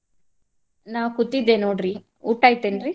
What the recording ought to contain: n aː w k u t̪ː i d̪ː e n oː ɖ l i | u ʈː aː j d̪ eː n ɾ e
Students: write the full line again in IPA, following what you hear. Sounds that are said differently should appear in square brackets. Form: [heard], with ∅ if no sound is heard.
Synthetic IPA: n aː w k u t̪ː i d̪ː e n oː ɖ [ɾ] i | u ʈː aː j [t̪] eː n ɾ [i]